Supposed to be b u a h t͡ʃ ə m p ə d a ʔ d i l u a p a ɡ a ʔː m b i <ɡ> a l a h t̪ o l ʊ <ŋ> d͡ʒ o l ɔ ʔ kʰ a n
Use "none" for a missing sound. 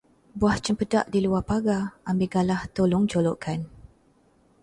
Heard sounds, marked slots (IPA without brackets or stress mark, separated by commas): ɡ, ŋ